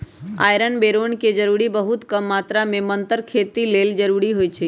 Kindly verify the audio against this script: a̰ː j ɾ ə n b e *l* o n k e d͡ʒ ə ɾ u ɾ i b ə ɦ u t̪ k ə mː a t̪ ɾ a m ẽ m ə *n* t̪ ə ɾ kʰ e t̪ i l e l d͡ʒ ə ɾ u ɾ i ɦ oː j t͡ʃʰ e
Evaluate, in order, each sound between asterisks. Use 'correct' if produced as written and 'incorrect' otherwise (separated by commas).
incorrect, correct